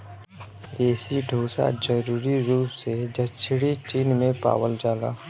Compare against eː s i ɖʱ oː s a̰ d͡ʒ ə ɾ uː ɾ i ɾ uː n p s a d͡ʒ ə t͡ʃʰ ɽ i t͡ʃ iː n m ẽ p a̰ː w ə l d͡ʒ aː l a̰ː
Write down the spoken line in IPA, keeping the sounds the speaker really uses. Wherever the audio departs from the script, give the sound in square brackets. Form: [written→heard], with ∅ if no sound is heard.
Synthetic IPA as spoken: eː s i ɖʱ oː s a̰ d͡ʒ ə ɾ uː ɾ i ɾ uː [n→∅] p s [a→e] d͡ʒ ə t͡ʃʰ ɽ i t͡ʃ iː n m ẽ p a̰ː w ə l d͡ʒ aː l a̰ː